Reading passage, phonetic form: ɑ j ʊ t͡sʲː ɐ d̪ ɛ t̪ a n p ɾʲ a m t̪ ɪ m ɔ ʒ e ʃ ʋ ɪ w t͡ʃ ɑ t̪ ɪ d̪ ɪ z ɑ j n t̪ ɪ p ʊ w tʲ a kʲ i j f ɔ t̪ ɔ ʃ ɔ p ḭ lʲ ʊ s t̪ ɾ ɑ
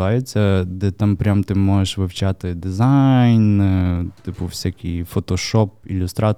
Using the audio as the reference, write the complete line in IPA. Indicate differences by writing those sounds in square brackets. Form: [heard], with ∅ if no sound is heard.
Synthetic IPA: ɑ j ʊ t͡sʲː ɐ d̪ ɛ t̪ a [m] p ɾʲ a m t̪ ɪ m ɔ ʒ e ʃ ʋ ɪ w t͡ʃ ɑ t̪ ɪ d̪ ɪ z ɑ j n t̪ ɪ p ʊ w [sʲ] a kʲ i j f ɔ t̪ ɔ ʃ ɔ p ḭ lʲ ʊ s t̪ ɾ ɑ